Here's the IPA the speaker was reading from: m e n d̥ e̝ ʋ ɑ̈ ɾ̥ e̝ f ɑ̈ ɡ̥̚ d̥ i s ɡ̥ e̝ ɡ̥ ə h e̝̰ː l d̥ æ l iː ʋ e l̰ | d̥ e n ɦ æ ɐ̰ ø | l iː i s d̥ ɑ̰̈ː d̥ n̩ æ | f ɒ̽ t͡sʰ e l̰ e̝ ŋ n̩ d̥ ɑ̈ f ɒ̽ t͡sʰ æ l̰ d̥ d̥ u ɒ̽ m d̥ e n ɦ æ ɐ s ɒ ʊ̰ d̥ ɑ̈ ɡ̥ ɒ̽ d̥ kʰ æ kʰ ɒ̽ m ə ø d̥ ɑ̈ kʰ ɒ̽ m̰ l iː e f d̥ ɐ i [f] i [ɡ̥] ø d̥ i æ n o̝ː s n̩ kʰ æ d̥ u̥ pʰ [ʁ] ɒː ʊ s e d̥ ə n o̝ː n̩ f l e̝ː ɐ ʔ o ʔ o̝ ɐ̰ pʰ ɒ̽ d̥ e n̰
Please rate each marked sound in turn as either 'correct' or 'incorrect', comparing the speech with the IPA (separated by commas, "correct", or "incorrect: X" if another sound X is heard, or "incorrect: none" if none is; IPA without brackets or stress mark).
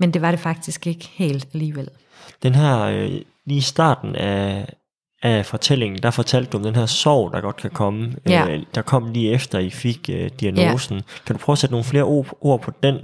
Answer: correct, correct, correct